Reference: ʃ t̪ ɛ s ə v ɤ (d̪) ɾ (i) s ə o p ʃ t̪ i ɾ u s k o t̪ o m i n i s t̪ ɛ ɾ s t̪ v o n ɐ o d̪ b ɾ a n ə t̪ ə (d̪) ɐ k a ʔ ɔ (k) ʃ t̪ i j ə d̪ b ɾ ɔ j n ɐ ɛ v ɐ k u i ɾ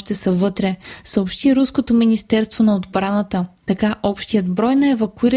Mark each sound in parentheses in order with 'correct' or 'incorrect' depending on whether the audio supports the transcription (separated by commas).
incorrect, incorrect, incorrect, incorrect